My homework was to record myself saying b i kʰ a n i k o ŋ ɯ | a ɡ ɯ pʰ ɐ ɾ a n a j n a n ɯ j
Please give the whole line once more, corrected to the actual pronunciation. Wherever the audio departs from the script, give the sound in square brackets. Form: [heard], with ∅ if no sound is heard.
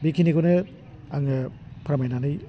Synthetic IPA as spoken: b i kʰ [i] n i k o [n] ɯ | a [ŋ] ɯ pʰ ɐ ɾ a [m] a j n a n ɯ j